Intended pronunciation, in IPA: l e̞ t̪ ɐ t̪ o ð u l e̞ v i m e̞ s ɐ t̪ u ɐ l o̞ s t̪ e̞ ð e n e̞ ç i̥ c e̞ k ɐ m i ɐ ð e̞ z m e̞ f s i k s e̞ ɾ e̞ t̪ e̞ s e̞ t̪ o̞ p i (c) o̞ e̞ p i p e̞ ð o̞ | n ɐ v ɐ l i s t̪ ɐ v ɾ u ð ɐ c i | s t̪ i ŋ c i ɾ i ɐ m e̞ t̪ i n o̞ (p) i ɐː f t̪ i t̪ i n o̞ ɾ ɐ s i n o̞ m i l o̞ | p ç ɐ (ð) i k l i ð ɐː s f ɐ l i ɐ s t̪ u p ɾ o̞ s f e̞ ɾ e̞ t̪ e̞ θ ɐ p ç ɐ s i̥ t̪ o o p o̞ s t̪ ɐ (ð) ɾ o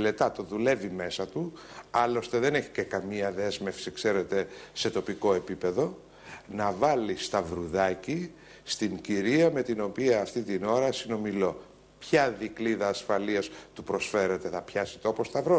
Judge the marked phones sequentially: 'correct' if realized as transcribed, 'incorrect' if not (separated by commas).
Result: incorrect, correct, correct, incorrect